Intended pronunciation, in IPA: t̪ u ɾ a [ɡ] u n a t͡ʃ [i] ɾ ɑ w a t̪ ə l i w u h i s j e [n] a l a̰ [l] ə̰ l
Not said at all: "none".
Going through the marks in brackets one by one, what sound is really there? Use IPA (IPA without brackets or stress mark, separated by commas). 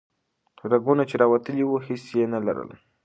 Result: ɡ, e, n, ɾ